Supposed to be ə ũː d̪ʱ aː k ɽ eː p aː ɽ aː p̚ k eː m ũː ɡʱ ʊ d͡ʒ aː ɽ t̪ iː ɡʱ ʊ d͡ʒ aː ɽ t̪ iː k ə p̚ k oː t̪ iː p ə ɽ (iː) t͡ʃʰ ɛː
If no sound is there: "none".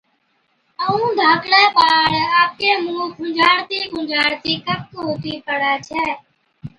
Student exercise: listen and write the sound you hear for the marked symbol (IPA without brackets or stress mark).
aː